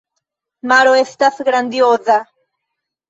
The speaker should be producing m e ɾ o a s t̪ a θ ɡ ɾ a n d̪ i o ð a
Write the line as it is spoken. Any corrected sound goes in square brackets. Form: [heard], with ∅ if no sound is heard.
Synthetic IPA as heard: m [a] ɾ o [e] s t̪ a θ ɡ ɾ a n d̪ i o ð a